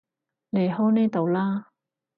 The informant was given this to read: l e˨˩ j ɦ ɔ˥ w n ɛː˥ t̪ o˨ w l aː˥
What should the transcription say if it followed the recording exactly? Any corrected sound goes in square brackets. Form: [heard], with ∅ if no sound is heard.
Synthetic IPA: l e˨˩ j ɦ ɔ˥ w n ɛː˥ t̪ o˨ w l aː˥

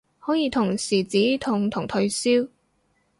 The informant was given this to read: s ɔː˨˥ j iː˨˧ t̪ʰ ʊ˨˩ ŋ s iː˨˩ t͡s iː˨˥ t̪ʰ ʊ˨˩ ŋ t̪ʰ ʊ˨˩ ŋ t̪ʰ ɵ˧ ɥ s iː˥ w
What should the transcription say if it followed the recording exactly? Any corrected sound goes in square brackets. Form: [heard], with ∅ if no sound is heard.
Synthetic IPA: [h] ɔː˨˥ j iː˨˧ t̪ʰ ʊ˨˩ ŋ s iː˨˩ t͡s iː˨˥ t̪ʰ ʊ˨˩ ŋ t̪ʰ ʊ˨˩ ŋ t̪ʰ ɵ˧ ɥ s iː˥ w

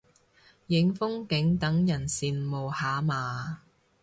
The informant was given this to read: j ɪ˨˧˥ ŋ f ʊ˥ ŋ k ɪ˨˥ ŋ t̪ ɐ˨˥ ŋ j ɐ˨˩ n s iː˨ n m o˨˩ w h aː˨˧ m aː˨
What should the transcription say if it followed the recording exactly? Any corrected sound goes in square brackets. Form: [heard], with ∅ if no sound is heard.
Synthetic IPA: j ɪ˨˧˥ ŋ f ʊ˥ ŋ k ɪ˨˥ ŋ t̪ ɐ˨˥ ŋ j ɐ˨˩ n s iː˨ n m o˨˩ w h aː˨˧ m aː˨

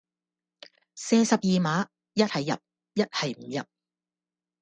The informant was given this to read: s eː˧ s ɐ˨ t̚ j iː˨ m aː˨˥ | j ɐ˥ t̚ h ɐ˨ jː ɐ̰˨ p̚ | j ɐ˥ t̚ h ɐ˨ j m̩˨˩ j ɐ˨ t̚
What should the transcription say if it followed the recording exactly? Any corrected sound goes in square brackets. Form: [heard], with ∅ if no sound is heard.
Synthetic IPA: s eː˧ s ɐ˨ [p̚] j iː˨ m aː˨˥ | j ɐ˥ t̚ h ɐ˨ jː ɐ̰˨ p̚ | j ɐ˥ t̚ h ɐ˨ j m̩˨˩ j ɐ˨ [p̚]

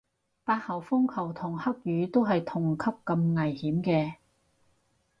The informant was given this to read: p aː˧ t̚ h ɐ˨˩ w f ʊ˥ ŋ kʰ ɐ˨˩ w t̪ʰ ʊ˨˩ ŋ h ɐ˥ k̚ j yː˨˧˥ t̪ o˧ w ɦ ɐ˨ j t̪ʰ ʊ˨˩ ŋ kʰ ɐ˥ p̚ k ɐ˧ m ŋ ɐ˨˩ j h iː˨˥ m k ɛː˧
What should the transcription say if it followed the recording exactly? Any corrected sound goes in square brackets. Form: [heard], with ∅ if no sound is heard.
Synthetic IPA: p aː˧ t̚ h ɐ˨˩ w f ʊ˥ ŋ kʰ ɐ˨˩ w t̪ʰ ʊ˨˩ ŋ h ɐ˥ k̚ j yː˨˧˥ t̪ [o˥] w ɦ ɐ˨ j t̪ʰ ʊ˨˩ ŋ kʰ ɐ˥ p̚ k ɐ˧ m ŋ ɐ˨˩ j h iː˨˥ m k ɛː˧

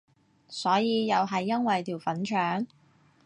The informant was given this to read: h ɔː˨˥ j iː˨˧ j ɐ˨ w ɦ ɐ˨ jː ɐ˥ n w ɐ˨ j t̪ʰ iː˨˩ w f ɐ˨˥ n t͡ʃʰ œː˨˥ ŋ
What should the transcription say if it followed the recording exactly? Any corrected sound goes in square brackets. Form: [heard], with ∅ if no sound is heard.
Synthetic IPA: [s] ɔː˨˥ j iː˨˧ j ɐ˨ w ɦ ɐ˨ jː ɐ˥ n w ɐ˨ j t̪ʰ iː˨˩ w f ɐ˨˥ n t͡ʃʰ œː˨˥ ŋ

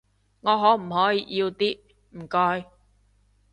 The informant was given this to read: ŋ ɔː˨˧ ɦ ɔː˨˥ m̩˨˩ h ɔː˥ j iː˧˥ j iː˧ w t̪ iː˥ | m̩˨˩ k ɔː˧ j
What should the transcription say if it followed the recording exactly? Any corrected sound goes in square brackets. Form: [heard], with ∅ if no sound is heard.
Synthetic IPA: ŋ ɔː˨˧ ɦ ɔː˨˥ m̩˨˩ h [ɔː˨˥] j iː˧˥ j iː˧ w t̪ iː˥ | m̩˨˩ k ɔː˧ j

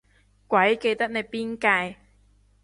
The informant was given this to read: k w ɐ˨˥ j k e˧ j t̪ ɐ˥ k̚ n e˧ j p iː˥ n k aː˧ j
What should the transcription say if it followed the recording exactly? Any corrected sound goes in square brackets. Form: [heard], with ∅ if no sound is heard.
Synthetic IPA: k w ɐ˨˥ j k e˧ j t̪ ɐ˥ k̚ n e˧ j p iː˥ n k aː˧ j

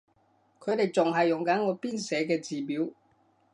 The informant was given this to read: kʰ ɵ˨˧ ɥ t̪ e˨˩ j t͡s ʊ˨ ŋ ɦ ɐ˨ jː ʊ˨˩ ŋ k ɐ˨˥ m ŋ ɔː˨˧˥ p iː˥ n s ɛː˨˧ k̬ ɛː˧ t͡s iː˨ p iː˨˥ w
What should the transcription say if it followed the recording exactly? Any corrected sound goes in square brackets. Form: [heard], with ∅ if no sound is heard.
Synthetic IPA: kʰ ɵ˨˧ ɥ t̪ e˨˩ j t͡s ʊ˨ ŋ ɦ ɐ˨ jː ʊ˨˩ ŋ k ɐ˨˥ [n] ŋ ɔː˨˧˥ p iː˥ n s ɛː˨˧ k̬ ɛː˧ t͡s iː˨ p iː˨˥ w

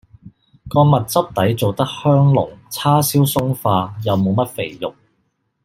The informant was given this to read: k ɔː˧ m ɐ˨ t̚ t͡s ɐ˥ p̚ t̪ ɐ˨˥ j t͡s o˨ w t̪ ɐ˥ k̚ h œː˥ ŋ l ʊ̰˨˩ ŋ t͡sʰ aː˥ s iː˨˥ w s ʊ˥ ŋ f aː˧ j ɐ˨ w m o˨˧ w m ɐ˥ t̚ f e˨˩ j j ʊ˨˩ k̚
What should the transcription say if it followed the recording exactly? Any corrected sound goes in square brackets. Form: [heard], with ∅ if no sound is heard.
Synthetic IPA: k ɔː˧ m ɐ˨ t̚ t͡s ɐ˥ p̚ t̪ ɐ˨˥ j t͡s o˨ w t̪ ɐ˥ k̚ h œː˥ ŋ l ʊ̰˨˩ ŋ t͡sʰ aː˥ s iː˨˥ w s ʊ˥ ŋ f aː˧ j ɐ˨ w m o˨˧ w m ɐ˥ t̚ f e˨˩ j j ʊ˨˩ k̚

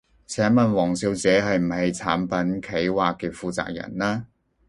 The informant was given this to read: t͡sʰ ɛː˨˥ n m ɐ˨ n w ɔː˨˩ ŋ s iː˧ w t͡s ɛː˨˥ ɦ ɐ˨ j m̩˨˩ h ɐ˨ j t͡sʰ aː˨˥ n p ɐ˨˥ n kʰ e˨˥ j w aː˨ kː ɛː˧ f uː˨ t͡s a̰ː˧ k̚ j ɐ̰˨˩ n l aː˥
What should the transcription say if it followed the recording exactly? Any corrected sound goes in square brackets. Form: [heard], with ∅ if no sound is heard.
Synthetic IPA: t͡sʰ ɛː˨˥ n m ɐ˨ n w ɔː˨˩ ŋ s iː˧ w t͡s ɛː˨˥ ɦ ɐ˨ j m̩˨˩ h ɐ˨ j t͡sʰ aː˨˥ n p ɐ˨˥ n kʰ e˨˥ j w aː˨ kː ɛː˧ f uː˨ t͡s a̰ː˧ k̚ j ɐ̰˨˩ n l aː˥

